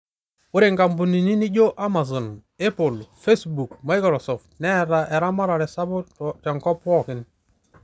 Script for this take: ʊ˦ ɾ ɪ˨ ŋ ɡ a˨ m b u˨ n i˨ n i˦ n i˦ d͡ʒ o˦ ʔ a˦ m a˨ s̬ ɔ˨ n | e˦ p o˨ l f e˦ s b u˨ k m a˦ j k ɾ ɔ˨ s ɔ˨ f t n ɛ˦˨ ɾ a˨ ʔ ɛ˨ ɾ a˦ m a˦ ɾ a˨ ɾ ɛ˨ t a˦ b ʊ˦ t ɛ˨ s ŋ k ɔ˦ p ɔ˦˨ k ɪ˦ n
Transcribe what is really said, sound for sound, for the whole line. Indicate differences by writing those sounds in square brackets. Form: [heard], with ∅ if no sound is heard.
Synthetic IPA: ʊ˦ ɾ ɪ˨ ŋ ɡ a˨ m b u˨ n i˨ n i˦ n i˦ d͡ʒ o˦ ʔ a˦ m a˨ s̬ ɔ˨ n | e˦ p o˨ l f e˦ s b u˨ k m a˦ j k ɾ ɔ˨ s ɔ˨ f t n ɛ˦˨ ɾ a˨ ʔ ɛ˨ ɾ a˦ m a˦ ɾ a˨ ɾ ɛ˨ [s] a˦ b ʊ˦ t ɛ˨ [∅] ŋ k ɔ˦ p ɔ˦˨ k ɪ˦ n